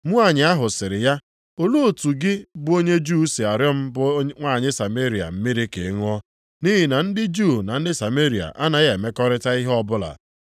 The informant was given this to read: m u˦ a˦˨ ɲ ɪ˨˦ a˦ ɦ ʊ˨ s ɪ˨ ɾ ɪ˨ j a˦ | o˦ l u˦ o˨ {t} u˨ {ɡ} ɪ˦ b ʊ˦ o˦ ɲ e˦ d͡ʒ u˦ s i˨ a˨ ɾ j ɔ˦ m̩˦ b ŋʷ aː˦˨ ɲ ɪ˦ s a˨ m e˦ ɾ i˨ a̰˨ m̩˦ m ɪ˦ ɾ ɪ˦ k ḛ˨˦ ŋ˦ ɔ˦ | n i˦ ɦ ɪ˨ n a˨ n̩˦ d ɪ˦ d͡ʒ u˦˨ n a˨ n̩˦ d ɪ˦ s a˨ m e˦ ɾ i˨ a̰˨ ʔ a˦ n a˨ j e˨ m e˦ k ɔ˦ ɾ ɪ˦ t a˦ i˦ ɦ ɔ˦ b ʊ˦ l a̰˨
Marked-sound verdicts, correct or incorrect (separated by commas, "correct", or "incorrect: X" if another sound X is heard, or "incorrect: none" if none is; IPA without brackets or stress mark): correct, correct